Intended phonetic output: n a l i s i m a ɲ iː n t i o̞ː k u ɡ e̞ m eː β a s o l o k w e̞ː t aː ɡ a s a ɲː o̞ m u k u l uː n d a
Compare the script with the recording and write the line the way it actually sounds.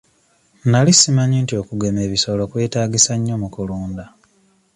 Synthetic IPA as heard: n a l i s i m a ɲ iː n t i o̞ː k u ɡ e̞ m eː β i s o l o k w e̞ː t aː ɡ i s a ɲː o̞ m u k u l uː n d a